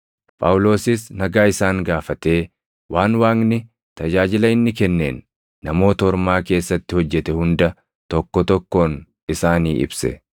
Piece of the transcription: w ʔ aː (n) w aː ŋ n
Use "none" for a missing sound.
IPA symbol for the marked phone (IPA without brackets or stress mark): n